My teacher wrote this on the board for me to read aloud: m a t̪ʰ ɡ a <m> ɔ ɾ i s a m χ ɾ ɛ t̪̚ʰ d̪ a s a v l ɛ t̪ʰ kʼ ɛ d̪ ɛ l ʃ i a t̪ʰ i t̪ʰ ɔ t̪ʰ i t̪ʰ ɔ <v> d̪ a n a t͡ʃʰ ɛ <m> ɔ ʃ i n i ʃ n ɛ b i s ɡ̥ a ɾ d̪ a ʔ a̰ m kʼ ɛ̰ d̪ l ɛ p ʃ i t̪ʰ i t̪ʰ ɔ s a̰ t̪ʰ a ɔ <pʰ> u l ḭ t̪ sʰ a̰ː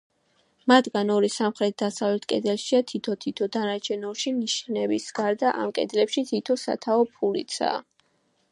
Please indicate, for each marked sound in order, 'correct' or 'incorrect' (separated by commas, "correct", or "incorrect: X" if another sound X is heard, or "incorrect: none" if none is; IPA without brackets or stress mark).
incorrect: n, incorrect: none, incorrect: n, correct